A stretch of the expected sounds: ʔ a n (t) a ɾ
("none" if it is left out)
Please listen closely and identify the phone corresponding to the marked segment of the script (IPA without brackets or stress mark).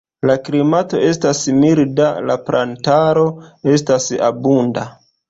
t